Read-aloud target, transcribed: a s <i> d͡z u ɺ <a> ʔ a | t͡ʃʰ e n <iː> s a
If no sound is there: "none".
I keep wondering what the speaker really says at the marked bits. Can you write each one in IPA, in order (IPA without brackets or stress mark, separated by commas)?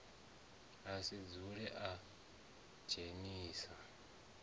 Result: i, ɛ, iː